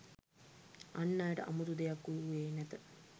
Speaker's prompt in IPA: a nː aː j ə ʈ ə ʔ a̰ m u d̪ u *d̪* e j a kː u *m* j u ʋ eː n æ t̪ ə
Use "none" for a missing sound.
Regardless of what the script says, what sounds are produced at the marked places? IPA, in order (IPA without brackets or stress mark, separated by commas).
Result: d̪, none